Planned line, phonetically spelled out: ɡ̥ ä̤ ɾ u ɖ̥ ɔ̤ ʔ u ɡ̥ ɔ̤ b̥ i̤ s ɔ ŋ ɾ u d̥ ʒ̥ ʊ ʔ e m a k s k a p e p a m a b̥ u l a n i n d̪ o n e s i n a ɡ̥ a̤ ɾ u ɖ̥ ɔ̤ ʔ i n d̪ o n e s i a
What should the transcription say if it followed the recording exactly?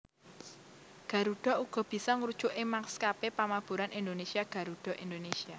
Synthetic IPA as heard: ɡ̥ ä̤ ɾ u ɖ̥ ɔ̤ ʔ u ɡ̥ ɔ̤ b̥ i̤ s ɔ ŋ ɾ u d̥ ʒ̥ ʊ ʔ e m a k s k a p e p a m a b̥ u ɾ a n i n d̪ o n e s i a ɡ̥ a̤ ɾ u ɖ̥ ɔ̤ ʔ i n d̪ o n e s i a